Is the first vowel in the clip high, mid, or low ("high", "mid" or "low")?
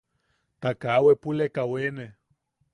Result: low